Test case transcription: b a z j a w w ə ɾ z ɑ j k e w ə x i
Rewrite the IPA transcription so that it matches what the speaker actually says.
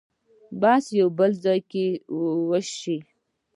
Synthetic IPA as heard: b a s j a w b ə l z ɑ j k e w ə ʃ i